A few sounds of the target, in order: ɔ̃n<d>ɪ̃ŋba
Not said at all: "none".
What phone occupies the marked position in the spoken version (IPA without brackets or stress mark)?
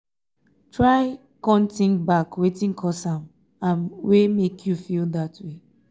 t